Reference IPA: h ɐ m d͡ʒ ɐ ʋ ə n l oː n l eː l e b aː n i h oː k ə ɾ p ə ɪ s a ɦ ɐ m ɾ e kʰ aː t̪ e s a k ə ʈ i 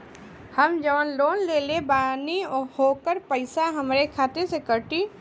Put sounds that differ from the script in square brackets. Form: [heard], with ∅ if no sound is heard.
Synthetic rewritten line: h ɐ m d͡ʒ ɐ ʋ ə n l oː n l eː l e b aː n i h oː k ə ɾ p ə ɪ s a ɦ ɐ m ɾ e kʰ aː t̪ e s [e] k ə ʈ i